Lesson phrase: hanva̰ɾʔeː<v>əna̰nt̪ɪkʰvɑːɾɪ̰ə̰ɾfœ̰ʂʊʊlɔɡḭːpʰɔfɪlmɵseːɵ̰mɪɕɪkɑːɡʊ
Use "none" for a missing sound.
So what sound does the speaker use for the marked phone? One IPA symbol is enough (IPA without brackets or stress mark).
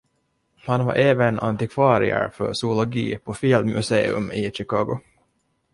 v